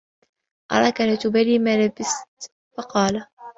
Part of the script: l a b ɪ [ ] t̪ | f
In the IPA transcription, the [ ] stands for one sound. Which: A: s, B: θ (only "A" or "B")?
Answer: A